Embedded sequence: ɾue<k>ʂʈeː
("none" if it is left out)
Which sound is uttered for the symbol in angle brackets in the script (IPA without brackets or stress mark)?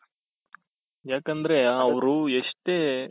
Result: none